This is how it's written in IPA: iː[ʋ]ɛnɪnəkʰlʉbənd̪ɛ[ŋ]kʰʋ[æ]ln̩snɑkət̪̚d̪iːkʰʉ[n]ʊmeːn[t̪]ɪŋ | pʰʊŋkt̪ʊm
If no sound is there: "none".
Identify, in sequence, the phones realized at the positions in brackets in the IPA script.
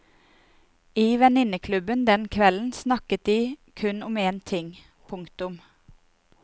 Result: ʋ, n, ɛ, n, t̪ʰ

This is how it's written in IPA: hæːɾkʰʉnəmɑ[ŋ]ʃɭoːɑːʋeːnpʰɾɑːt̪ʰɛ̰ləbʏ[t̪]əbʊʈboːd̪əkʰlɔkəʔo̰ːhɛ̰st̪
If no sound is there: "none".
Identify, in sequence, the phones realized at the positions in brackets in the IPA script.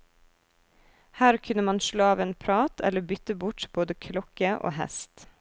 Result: n, t̪

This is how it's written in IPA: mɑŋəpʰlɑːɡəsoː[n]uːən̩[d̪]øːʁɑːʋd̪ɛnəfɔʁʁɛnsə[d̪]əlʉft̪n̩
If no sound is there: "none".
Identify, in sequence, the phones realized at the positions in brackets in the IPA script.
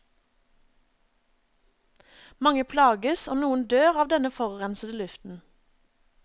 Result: n, d̪, d̪

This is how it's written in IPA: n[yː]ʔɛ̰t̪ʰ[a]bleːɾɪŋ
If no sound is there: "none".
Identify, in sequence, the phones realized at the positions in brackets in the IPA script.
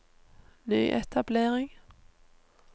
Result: yː, a

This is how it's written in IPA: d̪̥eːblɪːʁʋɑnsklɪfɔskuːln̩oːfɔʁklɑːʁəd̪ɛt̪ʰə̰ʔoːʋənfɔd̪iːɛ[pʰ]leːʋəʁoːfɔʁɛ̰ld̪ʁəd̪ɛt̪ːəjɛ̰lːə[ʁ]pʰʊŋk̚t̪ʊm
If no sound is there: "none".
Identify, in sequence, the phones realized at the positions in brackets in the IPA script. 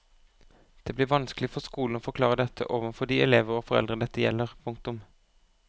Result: none, ʁ

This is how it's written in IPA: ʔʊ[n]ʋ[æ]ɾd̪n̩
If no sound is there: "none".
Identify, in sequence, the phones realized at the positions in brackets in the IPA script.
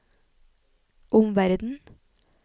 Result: m, æ

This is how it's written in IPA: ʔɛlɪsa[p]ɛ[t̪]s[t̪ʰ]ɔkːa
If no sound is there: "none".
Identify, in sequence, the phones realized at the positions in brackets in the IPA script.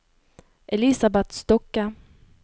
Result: b, t̪, t̪

